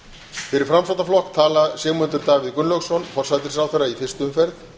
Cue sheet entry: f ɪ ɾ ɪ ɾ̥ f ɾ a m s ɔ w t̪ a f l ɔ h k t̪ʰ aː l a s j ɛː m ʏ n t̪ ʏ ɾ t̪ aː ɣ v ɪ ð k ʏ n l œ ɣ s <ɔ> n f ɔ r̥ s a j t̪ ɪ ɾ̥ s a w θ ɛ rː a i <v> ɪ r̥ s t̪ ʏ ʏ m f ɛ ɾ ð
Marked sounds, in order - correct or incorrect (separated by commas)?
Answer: correct, incorrect